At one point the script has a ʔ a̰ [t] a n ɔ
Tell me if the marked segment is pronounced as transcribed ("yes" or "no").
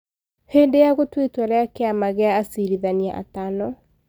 yes